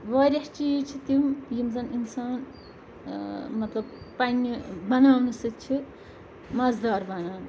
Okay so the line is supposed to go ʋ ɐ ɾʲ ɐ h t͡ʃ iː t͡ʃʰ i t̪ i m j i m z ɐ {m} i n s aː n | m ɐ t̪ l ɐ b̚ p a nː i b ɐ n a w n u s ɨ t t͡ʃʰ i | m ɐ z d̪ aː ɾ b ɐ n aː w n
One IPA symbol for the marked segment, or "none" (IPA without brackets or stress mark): n